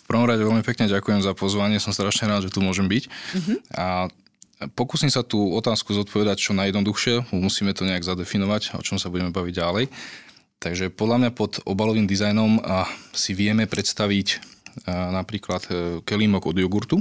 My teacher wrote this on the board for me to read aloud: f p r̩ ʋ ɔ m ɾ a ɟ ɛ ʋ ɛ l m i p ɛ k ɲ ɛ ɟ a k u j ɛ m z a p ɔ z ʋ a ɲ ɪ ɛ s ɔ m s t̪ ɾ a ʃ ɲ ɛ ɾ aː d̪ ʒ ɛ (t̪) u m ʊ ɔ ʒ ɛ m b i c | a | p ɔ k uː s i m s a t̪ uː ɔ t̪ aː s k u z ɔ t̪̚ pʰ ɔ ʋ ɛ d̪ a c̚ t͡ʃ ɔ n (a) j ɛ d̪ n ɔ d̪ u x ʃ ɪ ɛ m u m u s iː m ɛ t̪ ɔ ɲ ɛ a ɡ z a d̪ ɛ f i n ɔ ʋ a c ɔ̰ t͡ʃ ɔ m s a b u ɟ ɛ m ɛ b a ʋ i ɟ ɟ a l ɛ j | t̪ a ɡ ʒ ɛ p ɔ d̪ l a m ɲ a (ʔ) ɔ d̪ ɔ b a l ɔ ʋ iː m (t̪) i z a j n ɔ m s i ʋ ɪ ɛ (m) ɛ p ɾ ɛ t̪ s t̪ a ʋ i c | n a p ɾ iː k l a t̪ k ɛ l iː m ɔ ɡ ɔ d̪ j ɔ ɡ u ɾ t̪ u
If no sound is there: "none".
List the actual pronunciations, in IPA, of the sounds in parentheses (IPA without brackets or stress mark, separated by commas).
t̪, a, p, d̪, m